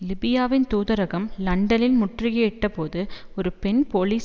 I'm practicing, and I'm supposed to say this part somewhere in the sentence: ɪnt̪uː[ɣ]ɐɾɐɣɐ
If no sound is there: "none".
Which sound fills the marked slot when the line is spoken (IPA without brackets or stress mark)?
ð